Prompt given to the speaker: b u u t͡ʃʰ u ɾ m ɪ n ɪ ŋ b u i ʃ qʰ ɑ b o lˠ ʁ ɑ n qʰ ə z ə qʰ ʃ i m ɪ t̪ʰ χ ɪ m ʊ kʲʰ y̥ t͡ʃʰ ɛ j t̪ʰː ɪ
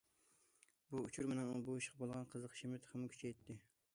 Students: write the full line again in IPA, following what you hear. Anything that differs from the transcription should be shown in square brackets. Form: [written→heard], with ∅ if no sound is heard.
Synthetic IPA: b u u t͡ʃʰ u ɾ m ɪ n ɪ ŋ b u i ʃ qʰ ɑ b o lˠ ʁ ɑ n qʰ ə z ə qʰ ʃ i m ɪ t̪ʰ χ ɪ m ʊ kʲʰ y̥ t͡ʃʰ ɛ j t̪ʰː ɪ